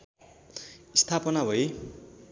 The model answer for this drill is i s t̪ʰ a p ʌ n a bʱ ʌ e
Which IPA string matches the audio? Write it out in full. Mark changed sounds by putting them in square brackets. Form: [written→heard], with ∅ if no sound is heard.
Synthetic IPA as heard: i s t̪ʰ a p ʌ n a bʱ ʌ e